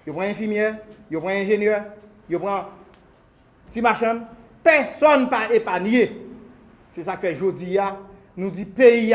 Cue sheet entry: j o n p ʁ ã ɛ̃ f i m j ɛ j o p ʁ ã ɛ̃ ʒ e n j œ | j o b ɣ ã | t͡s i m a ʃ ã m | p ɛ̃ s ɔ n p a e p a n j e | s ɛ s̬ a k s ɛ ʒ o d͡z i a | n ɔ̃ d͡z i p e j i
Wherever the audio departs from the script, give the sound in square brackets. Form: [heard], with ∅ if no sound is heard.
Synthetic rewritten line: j o [∅] p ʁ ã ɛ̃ f i m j ɛ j o p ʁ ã ɛ̃ ʒ e n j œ | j o [p] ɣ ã | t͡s i m a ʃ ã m | p [ɛ] s ɔ n p a e p a n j e | s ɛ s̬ a k [f] ɛ ʒ o d͡z i a | n [ũ] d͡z i p e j i